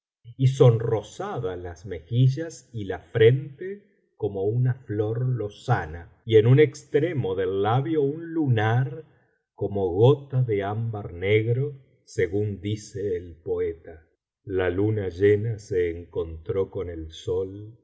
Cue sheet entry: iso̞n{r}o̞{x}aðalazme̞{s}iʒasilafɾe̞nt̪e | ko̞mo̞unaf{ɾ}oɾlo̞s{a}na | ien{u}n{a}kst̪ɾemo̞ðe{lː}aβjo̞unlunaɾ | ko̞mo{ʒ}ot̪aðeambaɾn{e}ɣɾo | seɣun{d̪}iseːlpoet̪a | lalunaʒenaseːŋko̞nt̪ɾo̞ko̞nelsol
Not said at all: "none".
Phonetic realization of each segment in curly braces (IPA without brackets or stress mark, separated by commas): r, s, x, l, a, u, e, lː, ɣ, e, d̪